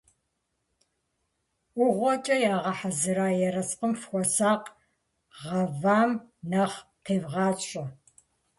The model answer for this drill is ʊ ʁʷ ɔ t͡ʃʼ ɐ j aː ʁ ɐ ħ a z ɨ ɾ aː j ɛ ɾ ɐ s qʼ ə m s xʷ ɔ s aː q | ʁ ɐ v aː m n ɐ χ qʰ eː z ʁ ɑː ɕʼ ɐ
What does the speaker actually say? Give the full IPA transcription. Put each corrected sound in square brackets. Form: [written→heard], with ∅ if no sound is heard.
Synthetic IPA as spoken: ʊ ʁʷ ɔ t͡ʃʼ ɐ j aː ʁ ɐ ħ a z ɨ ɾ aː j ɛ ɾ ɐ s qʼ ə m [s→f] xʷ ɔ s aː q | ʁ ɐ v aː m n ɐ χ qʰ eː [z→v] ʁ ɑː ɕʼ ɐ